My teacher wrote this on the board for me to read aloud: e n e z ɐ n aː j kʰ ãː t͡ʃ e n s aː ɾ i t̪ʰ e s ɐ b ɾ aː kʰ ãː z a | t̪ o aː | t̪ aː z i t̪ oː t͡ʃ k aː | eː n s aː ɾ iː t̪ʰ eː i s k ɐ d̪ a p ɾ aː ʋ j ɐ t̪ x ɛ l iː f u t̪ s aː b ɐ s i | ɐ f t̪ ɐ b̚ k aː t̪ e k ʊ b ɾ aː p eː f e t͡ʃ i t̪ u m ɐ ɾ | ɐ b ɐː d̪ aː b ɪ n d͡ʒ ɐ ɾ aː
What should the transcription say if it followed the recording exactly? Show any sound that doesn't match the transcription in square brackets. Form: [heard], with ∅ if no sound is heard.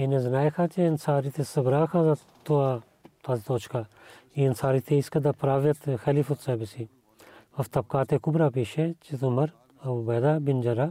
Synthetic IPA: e n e z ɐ n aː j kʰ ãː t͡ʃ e n s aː ɾ i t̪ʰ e s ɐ b ɾ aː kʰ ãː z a | t̪ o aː | t̪ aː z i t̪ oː t͡ʃ k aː | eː n s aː ɾ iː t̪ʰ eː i s k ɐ d̪ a p ɾ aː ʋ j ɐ t̪ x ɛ l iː f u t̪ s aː b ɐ s i | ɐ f t̪ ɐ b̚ k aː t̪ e k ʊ b ɾ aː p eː [ʃ] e t͡ʃ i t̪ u m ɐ ɾ | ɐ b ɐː d̪ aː b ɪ n d͡ʒ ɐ ɾ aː